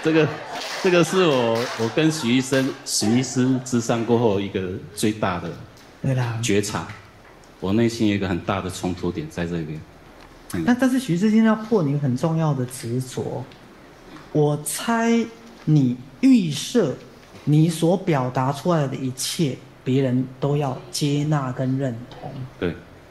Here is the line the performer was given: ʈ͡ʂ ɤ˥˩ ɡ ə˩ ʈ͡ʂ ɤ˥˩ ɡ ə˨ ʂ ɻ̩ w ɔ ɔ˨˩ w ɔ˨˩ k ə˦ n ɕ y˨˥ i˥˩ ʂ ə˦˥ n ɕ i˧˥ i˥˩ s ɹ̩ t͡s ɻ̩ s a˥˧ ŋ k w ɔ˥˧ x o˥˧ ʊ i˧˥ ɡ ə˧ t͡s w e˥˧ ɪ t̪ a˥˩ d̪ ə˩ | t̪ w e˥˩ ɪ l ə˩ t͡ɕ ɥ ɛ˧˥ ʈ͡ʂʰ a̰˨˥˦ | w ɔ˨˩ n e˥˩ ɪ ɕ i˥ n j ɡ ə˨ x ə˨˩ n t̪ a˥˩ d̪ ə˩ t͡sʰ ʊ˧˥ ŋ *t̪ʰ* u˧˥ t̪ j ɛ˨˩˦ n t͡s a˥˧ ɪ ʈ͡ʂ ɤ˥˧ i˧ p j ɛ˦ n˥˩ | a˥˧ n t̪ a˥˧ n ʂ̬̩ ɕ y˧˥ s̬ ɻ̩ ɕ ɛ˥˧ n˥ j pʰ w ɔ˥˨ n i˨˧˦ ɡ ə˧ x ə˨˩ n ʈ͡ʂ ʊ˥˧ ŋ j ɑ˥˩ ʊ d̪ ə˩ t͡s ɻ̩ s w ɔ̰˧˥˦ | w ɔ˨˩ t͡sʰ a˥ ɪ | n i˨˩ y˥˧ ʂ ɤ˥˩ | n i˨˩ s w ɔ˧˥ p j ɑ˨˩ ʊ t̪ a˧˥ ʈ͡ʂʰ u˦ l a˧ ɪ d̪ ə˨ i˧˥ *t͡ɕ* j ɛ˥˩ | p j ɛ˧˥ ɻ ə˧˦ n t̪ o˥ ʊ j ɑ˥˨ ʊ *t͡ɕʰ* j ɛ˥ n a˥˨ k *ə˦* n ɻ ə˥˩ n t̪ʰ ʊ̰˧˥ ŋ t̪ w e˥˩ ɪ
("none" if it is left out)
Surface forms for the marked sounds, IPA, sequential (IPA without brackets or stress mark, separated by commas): t̪ʰ, t͡ɕʰ, t͡ɕ, ə˦